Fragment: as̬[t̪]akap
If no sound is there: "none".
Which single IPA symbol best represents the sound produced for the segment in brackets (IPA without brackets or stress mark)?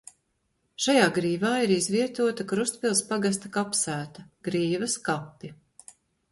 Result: t̪